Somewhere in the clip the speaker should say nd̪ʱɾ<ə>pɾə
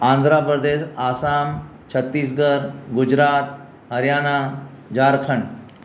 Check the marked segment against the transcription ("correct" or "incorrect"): incorrect